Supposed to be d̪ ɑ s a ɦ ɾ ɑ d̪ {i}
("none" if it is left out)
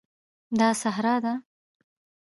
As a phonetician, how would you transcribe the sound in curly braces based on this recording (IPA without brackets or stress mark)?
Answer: a